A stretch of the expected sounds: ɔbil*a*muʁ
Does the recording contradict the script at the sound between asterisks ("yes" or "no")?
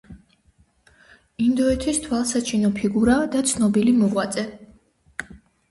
yes